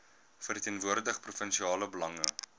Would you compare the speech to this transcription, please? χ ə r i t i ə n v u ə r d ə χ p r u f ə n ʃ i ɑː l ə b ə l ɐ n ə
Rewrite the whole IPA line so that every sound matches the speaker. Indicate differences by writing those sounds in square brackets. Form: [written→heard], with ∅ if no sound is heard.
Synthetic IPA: [χ→f] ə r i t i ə n v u ə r d ə χ p r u f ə n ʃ i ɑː l ə b ə l ɐ [n→ŋ] ə